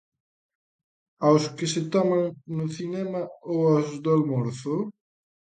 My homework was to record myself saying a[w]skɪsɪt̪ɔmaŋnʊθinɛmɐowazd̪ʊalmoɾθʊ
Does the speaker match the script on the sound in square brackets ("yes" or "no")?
yes